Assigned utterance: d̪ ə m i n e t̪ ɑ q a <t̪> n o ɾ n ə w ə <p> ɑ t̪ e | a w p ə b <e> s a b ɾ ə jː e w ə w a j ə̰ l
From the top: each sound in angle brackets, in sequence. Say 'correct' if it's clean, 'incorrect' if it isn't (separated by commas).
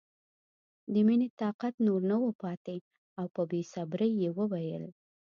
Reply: correct, correct, correct